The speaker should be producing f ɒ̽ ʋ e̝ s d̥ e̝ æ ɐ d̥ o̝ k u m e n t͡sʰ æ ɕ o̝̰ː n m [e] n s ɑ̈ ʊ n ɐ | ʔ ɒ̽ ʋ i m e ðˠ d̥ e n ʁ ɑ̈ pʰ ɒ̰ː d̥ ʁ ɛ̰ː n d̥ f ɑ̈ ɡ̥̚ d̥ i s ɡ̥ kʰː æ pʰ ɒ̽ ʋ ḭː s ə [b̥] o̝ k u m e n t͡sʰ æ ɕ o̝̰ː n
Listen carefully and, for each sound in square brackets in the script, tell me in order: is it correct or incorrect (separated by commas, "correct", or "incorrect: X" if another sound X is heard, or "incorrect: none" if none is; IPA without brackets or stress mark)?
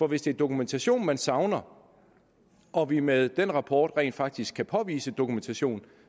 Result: incorrect: æ, incorrect: d̥